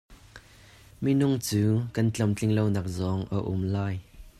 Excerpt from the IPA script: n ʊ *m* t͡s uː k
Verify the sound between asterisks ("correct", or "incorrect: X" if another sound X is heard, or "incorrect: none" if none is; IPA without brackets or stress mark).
incorrect: ŋ